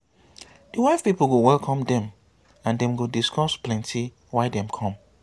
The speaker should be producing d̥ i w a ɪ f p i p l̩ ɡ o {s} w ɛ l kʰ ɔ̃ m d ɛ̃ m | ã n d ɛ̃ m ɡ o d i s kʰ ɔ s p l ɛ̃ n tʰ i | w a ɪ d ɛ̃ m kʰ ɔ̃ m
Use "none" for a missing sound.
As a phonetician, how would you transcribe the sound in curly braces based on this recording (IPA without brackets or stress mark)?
none